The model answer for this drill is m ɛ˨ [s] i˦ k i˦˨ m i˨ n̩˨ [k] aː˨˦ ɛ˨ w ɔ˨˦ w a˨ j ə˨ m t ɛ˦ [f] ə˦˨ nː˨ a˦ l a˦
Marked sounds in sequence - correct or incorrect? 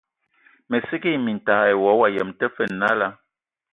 correct, incorrect: t, correct

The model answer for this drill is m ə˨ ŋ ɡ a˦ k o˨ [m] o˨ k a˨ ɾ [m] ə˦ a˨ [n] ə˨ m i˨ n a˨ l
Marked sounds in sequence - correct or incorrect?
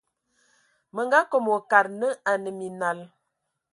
correct, incorrect: n, correct

